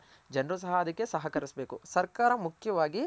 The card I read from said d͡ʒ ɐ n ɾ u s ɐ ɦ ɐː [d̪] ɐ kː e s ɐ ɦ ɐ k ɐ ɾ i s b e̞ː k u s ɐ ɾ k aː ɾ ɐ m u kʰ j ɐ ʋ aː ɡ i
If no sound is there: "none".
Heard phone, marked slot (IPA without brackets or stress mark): d̪